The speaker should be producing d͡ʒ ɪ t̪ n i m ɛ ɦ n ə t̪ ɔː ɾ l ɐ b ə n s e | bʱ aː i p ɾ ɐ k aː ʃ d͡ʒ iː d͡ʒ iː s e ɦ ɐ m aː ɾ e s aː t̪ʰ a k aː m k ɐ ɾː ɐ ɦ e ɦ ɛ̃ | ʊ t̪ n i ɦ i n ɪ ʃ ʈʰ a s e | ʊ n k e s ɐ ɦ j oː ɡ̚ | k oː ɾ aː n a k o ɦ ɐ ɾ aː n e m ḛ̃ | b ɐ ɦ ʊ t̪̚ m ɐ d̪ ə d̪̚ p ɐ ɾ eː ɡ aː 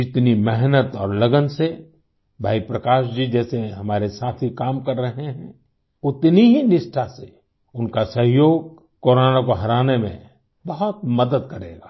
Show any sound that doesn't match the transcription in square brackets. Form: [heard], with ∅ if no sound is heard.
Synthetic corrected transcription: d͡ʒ ɪ t̪ n i m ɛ ɦ n ə t̪ ɔː ɾ l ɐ [ɡ] ə n s e | bʱ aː i p ɾ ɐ k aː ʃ d͡ʒ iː d͡ʒ [ɛː] s e ɦ ɐ m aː ɾ e s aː t̪ʰ [i] k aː m k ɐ ɾː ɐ ɦ e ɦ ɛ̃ | ʊ t̪ n i ɦ i n ɪ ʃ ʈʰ a s e | ʊ n k [a] s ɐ ɦ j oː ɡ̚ | k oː ɾ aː n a k o ɦ ɐ ɾ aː n e m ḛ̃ | b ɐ ɦ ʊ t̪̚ m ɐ d̪ ə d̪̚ [k] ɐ ɾ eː ɡ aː